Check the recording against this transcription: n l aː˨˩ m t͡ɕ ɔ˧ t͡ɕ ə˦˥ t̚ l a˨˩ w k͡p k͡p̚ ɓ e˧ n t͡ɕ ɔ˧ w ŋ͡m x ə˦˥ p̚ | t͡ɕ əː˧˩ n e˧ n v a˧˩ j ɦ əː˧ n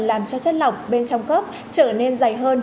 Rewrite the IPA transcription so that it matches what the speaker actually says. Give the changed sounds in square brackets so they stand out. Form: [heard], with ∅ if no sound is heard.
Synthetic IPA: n l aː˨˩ m t͡ɕ ɔ˧ t͡ɕ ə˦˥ t̚ l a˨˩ w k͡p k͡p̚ ɓ e˧ n t͡ɕ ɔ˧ w ŋ͡m [k] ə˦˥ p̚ | t͡ɕ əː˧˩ n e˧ n [z] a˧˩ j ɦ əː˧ n